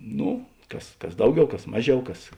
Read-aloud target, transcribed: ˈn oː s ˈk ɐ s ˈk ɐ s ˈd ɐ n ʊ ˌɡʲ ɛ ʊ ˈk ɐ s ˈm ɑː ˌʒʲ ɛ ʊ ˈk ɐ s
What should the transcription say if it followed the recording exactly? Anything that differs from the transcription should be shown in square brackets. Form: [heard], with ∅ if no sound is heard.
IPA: ˈn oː [∅] ˈk ɐ s ˈk ɐ s ˈd ɐ [∅] ʊ ˌɡʲ ɛ ʊ ˈk ɐ s ˈm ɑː ˌʒʲ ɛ ʊ ˈk ɐ s